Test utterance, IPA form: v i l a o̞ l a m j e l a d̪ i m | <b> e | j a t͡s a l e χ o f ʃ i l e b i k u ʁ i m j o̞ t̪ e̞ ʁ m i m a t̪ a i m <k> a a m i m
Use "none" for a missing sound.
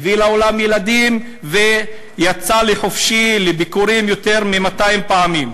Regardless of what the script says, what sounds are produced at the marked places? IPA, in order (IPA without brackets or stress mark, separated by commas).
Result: v, p